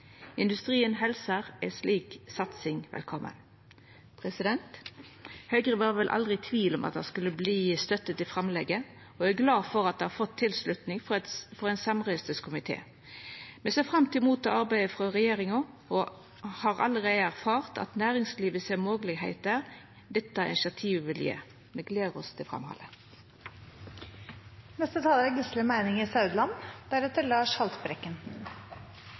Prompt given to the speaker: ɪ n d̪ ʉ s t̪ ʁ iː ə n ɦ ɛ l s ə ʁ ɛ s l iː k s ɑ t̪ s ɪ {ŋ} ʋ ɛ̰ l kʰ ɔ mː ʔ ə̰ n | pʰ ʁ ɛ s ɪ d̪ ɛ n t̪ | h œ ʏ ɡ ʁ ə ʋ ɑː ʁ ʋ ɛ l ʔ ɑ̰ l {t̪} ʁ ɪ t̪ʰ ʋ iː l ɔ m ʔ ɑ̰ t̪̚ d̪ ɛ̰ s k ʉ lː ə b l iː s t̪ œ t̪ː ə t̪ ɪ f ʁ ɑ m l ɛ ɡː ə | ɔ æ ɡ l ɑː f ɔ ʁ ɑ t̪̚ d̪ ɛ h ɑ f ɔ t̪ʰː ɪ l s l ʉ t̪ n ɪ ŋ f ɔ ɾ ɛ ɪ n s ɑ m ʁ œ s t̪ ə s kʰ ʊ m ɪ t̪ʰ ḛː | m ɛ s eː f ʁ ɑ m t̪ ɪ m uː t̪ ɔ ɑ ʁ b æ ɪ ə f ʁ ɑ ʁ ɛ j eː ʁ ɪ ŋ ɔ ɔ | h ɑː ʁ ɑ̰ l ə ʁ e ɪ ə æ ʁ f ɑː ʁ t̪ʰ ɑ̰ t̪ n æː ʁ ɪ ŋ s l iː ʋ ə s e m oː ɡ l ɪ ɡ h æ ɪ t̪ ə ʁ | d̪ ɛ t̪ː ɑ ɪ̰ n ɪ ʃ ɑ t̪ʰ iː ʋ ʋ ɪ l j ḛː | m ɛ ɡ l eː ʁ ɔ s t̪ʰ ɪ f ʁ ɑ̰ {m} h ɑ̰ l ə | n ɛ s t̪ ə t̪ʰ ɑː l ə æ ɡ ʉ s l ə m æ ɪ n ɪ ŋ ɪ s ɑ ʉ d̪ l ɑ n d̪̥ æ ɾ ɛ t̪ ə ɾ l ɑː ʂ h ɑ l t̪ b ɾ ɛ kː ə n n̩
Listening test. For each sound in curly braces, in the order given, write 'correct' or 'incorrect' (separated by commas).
correct, incorrect, correct